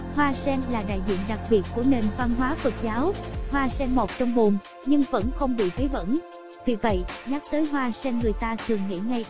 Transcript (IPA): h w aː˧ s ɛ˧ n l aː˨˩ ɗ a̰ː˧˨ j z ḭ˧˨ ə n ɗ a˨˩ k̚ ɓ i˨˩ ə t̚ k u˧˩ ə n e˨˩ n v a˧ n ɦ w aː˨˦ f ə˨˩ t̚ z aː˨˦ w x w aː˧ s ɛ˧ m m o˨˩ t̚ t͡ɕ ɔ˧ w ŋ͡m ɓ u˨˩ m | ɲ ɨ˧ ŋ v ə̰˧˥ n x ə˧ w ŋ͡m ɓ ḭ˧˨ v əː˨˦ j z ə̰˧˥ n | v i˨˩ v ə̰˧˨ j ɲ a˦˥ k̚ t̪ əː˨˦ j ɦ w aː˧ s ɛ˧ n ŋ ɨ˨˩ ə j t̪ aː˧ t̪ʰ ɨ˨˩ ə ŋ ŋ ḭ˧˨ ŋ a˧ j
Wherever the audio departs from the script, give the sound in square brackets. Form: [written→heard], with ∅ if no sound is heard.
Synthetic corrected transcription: h w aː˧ s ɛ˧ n l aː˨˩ ɗ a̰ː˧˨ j z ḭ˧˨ ə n ɗ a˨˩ k̚ ɓ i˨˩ ə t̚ k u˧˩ ə n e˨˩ n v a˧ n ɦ w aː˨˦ f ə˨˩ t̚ z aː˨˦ w [x→h] w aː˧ s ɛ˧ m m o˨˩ t̚ t͡ɕ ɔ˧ w ŋ͡m ɓ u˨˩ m | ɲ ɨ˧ ŋ v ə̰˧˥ n x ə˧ w ŋ͡m ɓ ḭ˧˨ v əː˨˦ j [z→v] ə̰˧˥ n | v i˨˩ v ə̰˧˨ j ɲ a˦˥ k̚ t̪ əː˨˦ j ɦ w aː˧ s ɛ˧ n ŋ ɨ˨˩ ə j t̪ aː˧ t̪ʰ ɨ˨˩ ə ŋ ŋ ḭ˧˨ ŋ a˧ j